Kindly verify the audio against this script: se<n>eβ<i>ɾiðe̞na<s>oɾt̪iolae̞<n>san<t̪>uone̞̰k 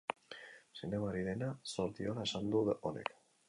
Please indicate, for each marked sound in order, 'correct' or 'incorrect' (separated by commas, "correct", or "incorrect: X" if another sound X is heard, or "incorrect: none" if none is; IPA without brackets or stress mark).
correct, incorrect: a, correct, incorrect: none, incorrect: d̪